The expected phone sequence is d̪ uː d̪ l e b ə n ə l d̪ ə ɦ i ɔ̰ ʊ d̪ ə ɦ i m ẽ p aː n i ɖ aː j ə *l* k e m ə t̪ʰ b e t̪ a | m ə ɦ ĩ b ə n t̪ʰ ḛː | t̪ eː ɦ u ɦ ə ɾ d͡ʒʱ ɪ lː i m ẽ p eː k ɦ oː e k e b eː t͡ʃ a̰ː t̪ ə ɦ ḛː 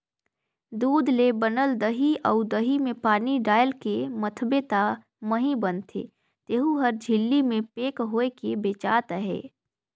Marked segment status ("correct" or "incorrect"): correct